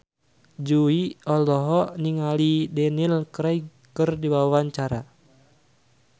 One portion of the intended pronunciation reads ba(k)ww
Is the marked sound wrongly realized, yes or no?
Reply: yes